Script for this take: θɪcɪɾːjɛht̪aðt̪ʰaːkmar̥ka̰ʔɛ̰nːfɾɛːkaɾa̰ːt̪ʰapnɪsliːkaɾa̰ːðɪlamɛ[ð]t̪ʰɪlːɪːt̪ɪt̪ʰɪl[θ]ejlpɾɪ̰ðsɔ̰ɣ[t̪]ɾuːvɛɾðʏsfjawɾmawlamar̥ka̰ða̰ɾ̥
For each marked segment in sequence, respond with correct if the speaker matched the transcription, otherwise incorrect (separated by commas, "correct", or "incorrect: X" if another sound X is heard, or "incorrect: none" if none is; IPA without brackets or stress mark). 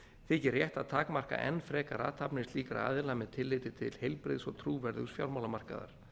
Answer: correct, incorrect: h, incorrect: t̪ʰ